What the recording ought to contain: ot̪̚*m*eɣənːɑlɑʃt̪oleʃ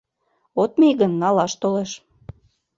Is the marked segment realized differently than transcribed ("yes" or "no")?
no